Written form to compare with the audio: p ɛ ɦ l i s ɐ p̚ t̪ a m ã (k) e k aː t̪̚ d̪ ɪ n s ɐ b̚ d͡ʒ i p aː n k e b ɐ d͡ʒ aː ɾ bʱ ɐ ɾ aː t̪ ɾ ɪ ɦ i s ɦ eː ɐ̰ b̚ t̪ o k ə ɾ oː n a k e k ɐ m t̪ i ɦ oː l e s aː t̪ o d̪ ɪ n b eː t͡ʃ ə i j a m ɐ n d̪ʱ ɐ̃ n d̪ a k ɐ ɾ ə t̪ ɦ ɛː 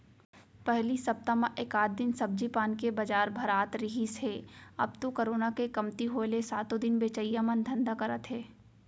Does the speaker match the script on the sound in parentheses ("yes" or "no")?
no